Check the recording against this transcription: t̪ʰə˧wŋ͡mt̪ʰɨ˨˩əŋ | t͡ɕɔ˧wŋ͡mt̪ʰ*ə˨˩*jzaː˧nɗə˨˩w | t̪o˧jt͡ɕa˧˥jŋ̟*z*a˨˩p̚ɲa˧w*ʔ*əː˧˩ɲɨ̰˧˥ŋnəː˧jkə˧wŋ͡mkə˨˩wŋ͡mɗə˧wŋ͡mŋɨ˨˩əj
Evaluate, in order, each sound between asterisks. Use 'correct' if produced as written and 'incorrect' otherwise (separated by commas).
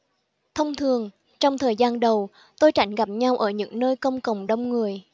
incorrect, incorrect, correct